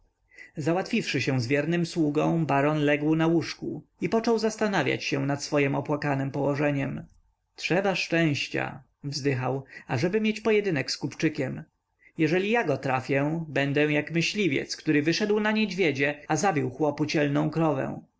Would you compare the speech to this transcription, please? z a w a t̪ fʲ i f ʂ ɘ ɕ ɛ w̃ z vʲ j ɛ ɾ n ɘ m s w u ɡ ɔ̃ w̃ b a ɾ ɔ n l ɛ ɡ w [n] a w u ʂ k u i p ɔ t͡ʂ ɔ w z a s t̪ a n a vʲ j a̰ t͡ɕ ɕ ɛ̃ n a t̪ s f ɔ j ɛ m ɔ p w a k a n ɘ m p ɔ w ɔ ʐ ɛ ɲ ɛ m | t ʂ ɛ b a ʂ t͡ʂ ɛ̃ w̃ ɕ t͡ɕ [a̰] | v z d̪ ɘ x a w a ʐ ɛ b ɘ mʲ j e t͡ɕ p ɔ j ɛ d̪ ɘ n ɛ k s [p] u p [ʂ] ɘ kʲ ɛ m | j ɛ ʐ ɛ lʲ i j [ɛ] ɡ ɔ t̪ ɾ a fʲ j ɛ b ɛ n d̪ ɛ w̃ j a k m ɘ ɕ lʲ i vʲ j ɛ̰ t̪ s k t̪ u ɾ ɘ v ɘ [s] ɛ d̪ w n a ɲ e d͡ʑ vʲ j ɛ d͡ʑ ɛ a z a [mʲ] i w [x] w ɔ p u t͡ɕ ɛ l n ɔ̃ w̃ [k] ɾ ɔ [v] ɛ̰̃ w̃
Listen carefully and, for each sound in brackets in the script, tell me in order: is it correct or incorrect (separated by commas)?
correct, correct, incorrect, incorrect, incorrect, incorrect, incorrect, correct, correct, correct